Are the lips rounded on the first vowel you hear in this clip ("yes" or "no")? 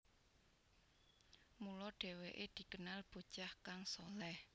yes